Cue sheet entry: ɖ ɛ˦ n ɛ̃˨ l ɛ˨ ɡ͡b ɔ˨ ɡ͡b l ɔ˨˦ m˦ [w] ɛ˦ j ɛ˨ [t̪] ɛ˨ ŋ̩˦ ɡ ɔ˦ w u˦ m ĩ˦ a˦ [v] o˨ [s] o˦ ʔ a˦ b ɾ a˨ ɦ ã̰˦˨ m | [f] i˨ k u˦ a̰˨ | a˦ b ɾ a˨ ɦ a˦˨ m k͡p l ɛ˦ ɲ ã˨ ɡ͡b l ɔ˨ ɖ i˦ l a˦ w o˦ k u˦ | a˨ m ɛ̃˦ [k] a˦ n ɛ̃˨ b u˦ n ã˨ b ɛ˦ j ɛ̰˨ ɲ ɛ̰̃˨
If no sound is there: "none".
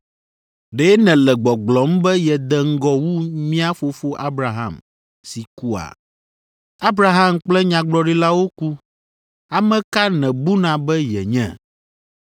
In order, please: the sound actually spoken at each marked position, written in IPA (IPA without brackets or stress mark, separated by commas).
b, d̪, f, f, s, k